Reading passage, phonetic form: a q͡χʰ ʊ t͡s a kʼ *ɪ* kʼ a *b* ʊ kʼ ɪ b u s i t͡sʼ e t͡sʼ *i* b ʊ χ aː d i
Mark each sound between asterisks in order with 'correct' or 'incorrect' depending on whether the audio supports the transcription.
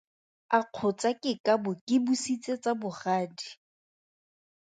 correct, correct, incorrect: a

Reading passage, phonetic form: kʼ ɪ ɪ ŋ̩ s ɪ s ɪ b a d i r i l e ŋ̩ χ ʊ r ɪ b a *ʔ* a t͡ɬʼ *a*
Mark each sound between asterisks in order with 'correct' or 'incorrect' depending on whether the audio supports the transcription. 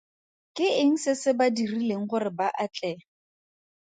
correct, incorrect: ɛ

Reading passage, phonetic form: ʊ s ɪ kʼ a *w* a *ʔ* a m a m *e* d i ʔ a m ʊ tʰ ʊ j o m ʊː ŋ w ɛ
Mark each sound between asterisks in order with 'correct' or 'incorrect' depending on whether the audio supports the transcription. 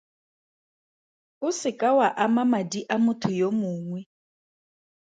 correct, correct, incorrect: a

